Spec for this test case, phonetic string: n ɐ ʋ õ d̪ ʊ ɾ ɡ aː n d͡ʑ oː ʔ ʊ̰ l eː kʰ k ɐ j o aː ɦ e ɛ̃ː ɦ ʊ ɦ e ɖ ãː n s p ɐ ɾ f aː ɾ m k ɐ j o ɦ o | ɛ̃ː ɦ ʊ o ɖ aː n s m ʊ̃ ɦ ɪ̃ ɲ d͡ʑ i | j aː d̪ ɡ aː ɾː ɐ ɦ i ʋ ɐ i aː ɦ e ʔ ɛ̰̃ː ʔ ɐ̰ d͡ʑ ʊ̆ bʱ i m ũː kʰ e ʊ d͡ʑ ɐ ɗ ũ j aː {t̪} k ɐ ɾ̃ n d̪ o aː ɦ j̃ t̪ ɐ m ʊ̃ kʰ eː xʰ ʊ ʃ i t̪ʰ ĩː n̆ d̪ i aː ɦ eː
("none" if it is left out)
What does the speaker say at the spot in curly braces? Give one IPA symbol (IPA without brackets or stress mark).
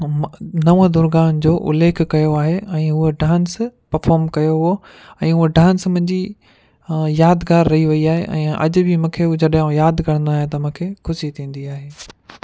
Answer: d̪